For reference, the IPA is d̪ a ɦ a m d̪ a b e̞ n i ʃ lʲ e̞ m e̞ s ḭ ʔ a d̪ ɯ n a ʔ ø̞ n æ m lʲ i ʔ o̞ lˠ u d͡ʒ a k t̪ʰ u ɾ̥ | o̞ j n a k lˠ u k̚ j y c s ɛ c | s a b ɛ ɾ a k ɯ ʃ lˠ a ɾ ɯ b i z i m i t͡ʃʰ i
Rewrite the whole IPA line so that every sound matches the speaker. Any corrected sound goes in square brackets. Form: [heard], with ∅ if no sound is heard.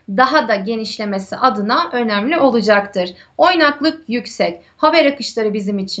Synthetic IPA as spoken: d̪ a ɦ a [∅] d̪ a [ɟ] e̞ n i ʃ lʲ e̞ m e̞ s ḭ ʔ a d̪ ɯ n a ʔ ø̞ n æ m lʲ i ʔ o̞ lˠ u d͡ʒ a k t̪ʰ [ɯ] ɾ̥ | o̞ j n a k lˠ [ɯ] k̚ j y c s ɛ c | [h] a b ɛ ɾ a k ɯ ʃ lˠ a ɾ ɯ b i z i m i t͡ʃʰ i